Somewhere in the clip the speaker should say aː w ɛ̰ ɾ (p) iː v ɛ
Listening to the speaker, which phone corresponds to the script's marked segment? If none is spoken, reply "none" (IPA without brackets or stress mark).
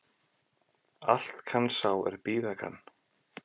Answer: p